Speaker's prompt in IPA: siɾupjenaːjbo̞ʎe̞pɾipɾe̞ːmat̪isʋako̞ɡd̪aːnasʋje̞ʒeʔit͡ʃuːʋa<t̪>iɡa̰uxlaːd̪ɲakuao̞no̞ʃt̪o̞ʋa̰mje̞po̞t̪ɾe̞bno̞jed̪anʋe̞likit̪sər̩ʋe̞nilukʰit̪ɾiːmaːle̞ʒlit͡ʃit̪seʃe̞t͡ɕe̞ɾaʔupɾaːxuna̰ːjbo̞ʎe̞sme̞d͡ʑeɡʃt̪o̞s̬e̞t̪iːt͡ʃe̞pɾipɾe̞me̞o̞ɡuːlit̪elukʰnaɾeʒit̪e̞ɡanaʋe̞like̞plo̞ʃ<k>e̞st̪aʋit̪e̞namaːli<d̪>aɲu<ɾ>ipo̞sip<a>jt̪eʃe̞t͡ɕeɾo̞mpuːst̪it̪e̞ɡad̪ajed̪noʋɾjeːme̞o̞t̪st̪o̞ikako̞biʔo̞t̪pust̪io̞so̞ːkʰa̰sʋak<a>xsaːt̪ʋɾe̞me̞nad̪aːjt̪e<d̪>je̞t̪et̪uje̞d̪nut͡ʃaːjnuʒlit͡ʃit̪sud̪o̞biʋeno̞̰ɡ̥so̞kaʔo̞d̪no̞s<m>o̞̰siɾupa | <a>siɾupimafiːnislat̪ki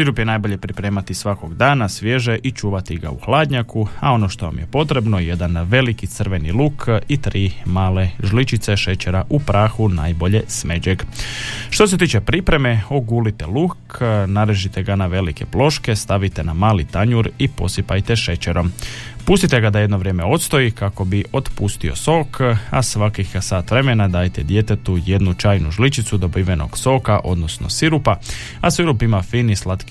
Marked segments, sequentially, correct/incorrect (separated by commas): correct, correct, incorrect, correct, correct, incorrect, correct, incorrect, correct